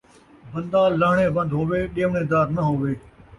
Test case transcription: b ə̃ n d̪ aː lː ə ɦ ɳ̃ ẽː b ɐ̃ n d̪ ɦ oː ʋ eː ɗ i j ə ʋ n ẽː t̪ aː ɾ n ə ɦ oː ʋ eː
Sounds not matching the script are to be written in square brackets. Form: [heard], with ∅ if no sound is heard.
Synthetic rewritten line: b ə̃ n d̪ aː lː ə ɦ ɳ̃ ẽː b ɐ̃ n d̪ ɦ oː ʋ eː ɗ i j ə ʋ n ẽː [d̪] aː ɾ n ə ɦ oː ʋ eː

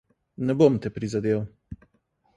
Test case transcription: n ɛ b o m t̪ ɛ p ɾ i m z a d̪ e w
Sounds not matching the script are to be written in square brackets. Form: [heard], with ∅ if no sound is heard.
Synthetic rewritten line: n ɛ b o m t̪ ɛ p ɾ i [∅] z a d̪ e w

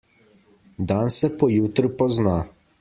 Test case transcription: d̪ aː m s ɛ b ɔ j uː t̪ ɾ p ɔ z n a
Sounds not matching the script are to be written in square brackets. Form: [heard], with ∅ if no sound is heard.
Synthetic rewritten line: d̪ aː [n] s ɛ [p] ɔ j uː t̪ ɾ p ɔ z n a

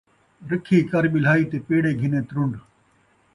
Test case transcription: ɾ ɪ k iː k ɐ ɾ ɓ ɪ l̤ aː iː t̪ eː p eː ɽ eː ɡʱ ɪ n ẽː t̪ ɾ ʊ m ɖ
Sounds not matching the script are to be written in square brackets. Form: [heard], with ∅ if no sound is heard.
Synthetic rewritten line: ɾ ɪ [kʰ] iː k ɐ ɾ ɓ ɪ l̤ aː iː t̪ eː p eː ɽ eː ɡʱ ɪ n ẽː t̪ ɾ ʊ [ɳ] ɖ

